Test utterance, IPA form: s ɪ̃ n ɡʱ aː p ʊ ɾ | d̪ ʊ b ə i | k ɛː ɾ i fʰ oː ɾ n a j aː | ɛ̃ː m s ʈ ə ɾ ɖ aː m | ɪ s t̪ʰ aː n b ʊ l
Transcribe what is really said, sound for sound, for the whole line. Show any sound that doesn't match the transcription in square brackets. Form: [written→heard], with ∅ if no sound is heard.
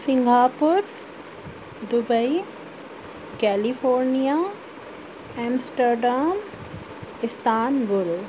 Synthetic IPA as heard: s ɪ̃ [n→ŋ] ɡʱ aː p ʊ ɾ | d̪ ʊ b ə i | k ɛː [ɾ→l] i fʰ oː ɾ n [a→i] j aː | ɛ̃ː m s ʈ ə ɾ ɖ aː m | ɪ s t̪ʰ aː n b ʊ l